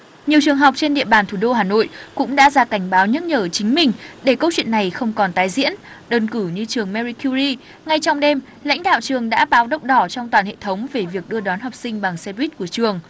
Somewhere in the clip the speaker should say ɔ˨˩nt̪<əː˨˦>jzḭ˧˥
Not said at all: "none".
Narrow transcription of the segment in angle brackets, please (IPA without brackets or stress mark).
aː˨˦